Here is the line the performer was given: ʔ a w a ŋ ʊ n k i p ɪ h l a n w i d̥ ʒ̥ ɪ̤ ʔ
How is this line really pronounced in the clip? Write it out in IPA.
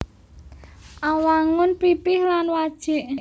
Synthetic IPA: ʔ a w a ŋ ʊ n p i p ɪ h l a n w a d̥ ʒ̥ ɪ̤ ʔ